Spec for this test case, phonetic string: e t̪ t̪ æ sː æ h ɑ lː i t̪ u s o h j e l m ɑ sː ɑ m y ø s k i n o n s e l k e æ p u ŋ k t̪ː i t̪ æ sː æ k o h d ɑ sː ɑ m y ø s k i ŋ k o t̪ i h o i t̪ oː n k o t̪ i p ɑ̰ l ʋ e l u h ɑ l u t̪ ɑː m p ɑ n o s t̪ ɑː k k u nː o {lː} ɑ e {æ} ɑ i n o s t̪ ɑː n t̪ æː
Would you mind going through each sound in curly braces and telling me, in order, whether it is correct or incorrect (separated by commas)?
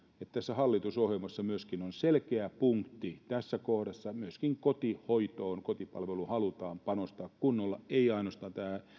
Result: correct, incorrect